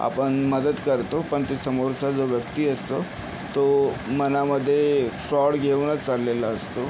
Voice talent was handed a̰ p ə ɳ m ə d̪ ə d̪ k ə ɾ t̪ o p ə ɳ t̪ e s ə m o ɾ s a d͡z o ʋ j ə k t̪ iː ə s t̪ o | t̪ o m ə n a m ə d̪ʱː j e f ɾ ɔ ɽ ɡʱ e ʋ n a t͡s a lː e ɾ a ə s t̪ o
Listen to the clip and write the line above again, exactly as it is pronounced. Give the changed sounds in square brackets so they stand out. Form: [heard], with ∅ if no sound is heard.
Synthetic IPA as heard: a̰ p ə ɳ m ə d̪ ə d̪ k ə ɾ t̪ o p ə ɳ t̪ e s ə m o ɾ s a d͡z o ʋ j ə k t̪ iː ə s t̪ o | t̪ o m ə n a m ə d̪ʱː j e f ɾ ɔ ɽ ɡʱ e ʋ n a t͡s a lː e [l] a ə s t̪ o

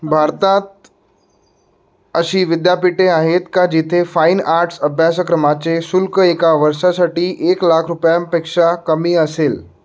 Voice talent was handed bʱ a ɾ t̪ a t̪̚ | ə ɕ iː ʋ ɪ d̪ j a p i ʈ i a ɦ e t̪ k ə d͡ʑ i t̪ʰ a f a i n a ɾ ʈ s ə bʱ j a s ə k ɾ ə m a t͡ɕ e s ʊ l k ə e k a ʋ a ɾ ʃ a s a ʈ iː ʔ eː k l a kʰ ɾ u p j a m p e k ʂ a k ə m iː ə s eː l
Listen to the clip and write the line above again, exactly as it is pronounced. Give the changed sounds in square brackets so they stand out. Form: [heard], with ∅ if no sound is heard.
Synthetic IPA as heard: bʱ a ɾ t̪ a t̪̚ | ə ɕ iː ʋ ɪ d̪ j a p i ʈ [e] a ɦ e t̪ k [a] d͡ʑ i t̪ʰ [e] f a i n a ɾ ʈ s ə bʱ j a s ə k ɾ ə m a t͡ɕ e s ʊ l k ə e k a ʋ [ə] ɾ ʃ a s a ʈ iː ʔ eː k l a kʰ ɾ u p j a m p e k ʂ a k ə m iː ə s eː l

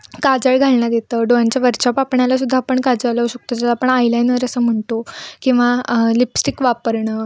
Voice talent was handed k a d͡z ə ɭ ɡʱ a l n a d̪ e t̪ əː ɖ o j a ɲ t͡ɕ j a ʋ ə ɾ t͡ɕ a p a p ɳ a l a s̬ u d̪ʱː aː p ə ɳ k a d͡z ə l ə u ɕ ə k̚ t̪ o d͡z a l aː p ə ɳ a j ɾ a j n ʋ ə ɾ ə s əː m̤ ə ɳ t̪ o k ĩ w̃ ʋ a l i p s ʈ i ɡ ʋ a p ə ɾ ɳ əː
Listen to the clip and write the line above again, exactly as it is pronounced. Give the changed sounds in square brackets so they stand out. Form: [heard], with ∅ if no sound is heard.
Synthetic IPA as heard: k a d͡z ə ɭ ɡʱ a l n a d̪ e t̪ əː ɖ o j a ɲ t͡ɕ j a ʋ ə ɾ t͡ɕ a p a p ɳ a l a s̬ u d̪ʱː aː p ə ɳ k a d͡z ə l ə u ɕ ə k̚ t̪ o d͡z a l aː p ə ɳ a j [l] a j n ʋ ə ɾ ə s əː m̤ ə ɳ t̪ o k ĩ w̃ ʋ a l i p s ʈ i [k] ʋ a p ə ɾ ɳ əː

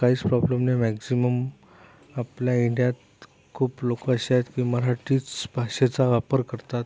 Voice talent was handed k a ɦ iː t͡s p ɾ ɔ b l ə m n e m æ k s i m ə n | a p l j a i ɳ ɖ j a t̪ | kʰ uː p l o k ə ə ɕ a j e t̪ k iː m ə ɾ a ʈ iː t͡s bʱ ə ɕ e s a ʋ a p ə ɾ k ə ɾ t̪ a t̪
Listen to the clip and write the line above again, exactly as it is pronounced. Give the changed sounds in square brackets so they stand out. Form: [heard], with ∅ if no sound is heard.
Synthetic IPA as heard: k a ɦ iː t͡s p ɾ ɔ b l ə m n e m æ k s i m ə [m] | a p l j a i ɳ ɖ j a t̪ | kʰ uː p l o k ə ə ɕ a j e t̪ k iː m ə ɾ a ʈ iː t͡s bʱ [a] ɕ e [t͡s] a ʋ a p ə ɾ k ə ɾ t̪ a t̪

